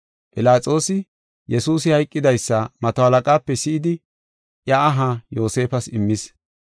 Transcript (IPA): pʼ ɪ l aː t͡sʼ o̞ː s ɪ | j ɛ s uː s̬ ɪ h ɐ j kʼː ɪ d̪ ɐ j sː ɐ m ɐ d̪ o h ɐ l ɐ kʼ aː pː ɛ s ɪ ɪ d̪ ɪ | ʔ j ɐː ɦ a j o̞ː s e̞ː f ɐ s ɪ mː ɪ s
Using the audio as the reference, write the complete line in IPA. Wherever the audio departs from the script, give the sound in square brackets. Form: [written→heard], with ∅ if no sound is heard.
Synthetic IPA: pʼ ɪ l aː t͡sʼ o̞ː s ɪ | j ɛ s uː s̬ ɪ h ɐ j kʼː ɪ d̪ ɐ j sː ɐ m ɐ [d̪→t̪] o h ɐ l ɐ kʼ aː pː ɛ s ɪ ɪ d̪ ɪ | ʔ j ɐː ɦ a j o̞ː s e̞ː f ɐ s ɪ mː ɪ s